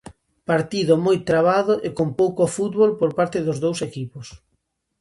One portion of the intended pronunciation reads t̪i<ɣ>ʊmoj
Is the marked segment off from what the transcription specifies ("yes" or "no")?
yes